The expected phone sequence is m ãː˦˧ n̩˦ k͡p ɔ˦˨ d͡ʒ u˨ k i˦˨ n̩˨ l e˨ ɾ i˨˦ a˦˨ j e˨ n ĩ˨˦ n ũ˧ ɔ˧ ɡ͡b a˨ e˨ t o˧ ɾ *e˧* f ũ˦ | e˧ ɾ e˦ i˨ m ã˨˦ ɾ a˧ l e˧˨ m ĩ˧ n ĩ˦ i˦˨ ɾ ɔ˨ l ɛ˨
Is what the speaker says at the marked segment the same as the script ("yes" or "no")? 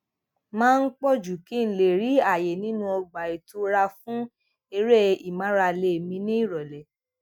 no